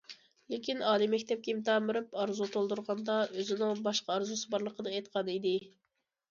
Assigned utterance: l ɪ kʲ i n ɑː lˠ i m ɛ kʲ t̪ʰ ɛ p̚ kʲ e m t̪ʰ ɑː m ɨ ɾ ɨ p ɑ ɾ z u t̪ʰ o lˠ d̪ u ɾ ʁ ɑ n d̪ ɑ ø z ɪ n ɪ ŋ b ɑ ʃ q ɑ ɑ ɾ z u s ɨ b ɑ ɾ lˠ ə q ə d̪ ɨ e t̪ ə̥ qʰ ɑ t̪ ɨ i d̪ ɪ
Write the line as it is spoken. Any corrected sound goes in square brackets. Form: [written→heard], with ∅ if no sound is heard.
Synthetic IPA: l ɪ kʲ i n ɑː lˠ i m ɛ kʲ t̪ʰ ɛ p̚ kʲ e m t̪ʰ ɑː m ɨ ɾ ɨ p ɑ ɾ z u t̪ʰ o lˠ d̪ u ɾ ʁ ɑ n d̪ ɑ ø z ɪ n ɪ ŋ b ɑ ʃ q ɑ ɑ ɾ z u s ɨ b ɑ ɾ lˠ ə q ə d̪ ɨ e t̪ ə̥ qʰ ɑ [t̪→d̪] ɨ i d̪ ɪ